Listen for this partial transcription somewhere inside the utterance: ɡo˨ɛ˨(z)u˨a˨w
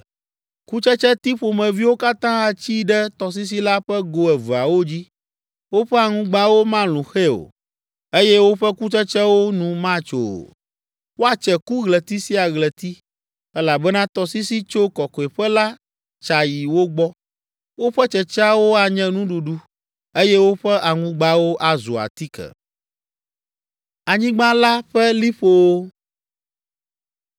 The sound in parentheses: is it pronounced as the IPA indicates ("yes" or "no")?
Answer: no